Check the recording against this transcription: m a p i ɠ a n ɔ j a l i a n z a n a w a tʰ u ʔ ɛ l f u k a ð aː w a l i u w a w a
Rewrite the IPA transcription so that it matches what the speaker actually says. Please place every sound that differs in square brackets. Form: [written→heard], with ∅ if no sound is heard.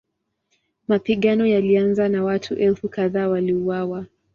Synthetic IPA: m a p i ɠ a n ɔ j a l i a n z a n a w a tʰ u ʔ ɛ l f u k a ð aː w a l i u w a w a